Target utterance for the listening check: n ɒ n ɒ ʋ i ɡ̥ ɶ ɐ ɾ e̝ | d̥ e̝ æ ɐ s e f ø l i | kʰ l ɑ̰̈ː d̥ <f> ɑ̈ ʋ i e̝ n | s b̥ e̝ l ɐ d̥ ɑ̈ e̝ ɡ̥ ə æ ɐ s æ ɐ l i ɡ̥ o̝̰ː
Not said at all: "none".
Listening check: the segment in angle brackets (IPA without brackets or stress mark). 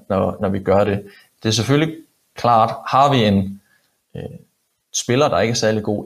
h